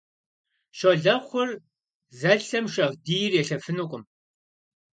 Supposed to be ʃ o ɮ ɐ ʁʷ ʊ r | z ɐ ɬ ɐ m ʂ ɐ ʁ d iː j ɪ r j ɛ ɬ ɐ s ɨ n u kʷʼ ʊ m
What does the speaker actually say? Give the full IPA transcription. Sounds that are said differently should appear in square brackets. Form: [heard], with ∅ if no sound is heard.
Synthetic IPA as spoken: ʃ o ɮ ɐ [χʷ] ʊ r | z ɐ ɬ ɐ m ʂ ɐ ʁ d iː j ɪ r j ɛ ɬ ɐ [f] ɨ n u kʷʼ ʊ m

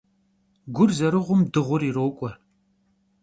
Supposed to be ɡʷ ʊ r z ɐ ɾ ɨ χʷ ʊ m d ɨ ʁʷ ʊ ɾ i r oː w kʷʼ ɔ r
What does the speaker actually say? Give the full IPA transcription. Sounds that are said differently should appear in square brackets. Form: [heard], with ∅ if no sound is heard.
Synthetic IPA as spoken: ɡʷ ʊ r z ɐ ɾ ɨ [ʁʷ] ʊ m d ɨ ʁʷ ʊ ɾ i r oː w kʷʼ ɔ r

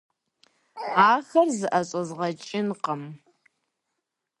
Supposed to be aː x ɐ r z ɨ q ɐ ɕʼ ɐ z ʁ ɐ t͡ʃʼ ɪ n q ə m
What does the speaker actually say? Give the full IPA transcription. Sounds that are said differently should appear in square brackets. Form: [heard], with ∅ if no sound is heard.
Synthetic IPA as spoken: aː x ɐ r z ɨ [ʔ] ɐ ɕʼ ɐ z ʁ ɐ t͡ʃʼ ɪ n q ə m

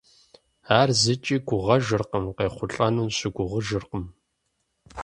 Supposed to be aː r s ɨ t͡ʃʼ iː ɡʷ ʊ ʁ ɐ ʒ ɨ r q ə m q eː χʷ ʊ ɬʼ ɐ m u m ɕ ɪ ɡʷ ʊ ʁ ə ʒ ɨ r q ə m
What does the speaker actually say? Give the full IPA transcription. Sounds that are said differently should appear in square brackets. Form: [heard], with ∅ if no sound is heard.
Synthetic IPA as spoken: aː r [z] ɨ t͡ʃʼ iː ɡʷ ʊ ʁ ɐ ʒ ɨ r q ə m q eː χʷ ʊ ɬʼ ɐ [n] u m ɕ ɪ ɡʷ ʊ ʁ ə ʒ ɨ r q ə m

